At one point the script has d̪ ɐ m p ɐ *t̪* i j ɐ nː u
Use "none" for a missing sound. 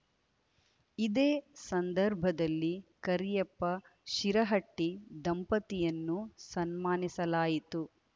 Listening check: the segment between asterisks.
t̪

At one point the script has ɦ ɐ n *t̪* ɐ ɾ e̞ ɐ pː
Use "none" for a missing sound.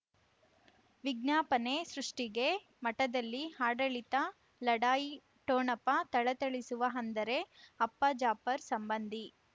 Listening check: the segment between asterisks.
d̪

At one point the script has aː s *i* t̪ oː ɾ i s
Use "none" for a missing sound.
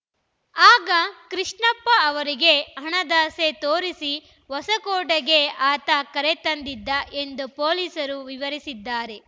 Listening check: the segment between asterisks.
e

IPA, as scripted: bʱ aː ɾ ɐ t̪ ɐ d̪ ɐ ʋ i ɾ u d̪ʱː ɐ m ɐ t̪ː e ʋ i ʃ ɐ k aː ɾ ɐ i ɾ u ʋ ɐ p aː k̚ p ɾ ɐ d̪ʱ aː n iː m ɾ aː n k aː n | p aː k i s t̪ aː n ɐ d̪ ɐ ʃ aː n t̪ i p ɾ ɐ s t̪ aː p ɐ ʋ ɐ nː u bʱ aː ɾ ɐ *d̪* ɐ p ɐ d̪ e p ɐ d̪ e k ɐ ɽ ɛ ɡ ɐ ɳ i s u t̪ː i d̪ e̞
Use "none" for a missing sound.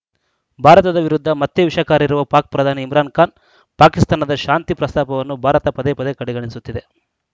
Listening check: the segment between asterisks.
t̪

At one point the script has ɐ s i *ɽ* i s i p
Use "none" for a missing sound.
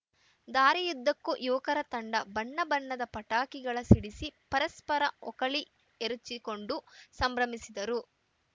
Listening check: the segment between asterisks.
ɽ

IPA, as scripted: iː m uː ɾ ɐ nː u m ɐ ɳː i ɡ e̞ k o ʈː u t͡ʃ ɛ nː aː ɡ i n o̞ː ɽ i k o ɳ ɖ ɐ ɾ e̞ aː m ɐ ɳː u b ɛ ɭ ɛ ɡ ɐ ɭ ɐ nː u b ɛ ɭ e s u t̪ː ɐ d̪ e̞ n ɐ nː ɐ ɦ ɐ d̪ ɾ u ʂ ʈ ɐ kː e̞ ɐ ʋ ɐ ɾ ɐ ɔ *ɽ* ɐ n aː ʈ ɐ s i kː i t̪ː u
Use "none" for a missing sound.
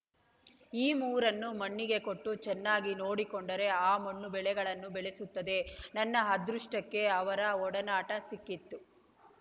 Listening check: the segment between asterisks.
ɽ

